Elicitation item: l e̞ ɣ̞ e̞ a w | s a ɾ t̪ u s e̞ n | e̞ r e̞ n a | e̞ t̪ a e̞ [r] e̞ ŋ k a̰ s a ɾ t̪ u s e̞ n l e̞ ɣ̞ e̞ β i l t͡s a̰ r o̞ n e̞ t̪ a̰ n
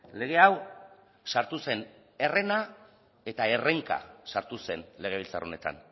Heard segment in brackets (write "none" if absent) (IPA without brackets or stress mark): r